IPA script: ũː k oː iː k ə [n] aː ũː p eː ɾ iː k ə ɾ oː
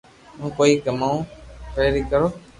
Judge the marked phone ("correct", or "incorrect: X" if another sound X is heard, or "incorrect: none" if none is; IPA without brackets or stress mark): incorrect: m